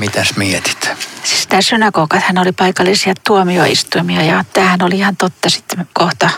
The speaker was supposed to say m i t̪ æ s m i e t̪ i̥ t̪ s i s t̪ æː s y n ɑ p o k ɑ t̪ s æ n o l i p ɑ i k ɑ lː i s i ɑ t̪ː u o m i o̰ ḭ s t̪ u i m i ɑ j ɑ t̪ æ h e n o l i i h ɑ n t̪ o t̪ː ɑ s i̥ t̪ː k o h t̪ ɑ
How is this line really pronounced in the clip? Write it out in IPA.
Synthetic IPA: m i t̪ æ s m i e t̪ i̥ t̪ s i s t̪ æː s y n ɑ k o k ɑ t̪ h æ n o l i p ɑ i k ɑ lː i s i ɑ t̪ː u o m i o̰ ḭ s t̪ u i m i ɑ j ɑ t̪ æː h æ n o l i i h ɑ n t̪ o t̪ː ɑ s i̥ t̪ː k o h t̪ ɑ